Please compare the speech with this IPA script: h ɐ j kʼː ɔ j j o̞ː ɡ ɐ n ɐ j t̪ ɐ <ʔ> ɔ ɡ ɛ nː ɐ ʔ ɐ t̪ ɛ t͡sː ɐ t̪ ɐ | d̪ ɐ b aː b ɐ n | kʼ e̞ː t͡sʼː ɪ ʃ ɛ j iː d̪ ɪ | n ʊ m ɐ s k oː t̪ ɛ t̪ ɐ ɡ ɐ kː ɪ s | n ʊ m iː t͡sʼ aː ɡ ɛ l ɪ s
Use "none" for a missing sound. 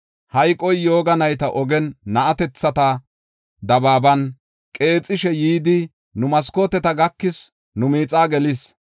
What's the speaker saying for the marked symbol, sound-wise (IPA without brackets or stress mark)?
ʔ